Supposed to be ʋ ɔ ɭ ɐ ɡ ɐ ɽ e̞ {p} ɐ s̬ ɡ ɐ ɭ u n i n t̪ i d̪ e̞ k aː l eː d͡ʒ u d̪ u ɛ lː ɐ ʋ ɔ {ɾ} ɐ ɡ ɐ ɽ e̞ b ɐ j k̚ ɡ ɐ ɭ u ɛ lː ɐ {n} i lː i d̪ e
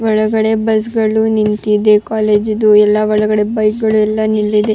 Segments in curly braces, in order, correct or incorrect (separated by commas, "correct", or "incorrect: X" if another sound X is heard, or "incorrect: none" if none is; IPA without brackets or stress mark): incorrect: b, incorrect: ɭ, correct